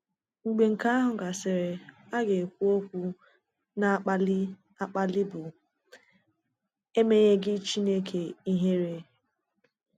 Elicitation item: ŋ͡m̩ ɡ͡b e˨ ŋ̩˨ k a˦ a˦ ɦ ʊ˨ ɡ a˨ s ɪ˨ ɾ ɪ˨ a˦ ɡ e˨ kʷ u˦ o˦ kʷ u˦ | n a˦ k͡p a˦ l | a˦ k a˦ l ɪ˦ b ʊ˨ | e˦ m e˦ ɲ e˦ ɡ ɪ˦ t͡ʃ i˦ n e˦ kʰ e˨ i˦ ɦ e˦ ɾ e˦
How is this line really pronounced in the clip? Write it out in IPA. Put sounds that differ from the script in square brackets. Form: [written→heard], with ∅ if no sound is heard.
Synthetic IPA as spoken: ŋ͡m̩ ɡ͡b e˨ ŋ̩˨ k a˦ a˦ ɦ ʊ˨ ɡ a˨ s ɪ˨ ɾ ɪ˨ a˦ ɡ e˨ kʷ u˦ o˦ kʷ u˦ | n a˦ k͡p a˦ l | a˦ [k→k͡p] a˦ l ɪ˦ b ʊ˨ | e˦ m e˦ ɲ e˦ ɡ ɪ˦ t͡ʃ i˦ n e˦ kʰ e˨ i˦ ɦ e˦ ɾ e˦